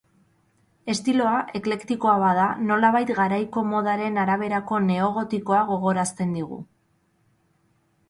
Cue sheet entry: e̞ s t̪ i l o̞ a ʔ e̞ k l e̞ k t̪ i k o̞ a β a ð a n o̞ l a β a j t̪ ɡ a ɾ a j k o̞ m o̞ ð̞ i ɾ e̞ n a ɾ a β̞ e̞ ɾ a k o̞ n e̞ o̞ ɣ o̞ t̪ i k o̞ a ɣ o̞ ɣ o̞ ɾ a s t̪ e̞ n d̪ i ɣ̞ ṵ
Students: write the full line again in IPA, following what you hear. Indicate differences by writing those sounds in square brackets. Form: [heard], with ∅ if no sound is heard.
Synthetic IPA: e̞ s t̪ i l o̞ a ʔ e̞ k l e̞ k t̪ i k o̞ a β a ð a n o̞ l a β a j t̪ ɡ a ɾ a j k o̞ m o̞ ð̞ [a] ɾ e̞ n a ɾ a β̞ e̞ ɾ a k o̞ n e̞ o̞ ɣ o̞ t̪ i k o̞ a ɣ o̞ ɣ o̞ ɾ a s t̪ e̞ n d̪ i ɣ̞ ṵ